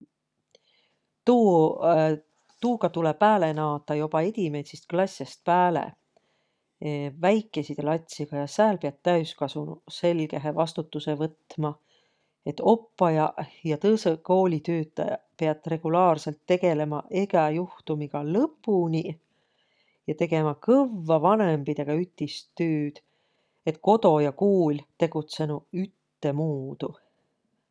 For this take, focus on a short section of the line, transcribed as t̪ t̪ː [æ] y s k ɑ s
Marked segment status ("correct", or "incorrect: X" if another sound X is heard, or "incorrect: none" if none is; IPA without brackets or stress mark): correct